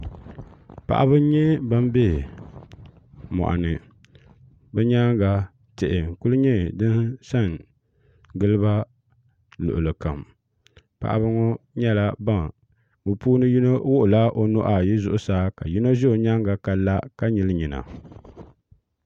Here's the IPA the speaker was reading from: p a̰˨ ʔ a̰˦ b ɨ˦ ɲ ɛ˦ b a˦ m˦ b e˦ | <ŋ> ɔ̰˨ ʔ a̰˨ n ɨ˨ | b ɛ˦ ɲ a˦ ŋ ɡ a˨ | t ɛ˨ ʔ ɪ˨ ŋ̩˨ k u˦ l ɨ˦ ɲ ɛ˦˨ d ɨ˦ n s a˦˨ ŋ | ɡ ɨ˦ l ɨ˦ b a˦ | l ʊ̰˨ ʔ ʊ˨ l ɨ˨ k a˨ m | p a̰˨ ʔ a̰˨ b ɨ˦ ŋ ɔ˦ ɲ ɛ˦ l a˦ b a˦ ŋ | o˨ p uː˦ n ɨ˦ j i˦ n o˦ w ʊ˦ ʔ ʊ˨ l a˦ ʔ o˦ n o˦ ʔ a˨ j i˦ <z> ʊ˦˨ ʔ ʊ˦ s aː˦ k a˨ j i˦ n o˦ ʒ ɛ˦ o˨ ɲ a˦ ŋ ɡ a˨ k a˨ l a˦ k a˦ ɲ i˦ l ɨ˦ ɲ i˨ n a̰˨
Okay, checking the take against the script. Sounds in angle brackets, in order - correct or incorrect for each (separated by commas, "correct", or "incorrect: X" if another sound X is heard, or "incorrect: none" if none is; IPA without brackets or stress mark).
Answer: incorrect: m, correct